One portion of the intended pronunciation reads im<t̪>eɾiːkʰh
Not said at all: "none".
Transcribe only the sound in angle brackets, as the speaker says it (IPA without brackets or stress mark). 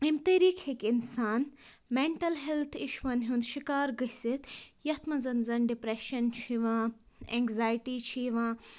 t̪